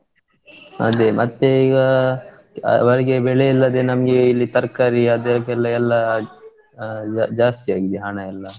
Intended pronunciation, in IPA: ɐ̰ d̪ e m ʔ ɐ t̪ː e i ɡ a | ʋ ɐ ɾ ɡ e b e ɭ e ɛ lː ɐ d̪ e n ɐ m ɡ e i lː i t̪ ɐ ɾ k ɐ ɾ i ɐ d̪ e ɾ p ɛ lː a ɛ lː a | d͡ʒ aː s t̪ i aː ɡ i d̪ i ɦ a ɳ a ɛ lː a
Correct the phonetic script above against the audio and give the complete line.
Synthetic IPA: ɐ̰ d̪ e m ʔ ɐ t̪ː e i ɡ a | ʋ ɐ ɾ ɡ e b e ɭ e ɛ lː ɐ d̪ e n ɐ m ɡ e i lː i t̪ ɐ ɾ k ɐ ɾ i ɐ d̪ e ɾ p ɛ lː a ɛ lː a | d͡ʒ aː s t̪ i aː ɡ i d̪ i ɦ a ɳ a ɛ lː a